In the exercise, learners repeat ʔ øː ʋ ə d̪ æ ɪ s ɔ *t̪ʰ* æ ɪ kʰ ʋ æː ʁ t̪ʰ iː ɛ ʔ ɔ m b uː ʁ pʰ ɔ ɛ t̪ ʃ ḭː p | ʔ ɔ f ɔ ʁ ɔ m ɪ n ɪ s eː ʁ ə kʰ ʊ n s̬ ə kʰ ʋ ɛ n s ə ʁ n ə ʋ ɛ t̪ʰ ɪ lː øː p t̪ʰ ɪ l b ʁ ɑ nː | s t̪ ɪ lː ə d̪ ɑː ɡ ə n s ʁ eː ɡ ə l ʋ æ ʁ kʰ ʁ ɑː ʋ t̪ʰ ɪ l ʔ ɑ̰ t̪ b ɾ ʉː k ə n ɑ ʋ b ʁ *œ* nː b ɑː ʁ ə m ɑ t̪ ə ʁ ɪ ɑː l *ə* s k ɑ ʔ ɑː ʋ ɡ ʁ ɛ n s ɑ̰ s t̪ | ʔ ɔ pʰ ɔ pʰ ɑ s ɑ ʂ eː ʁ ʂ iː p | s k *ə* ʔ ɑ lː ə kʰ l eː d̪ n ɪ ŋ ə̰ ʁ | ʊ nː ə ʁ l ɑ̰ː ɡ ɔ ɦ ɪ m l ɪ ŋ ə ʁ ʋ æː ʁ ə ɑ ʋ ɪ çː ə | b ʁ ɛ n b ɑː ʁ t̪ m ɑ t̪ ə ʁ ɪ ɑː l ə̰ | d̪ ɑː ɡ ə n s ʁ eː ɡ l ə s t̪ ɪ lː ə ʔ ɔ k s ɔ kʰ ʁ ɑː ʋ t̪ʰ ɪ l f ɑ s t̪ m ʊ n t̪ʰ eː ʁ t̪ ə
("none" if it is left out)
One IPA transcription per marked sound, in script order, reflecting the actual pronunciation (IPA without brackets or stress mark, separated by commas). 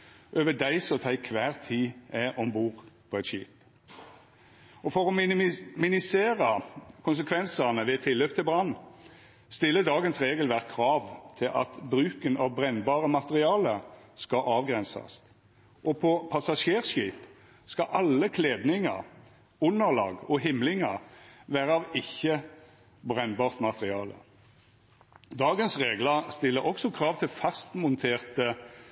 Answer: t̪ʰ, ɛ, ə, ɑ